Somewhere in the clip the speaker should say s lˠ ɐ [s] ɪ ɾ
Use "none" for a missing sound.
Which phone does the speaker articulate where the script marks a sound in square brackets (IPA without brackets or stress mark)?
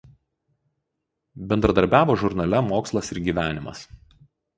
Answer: s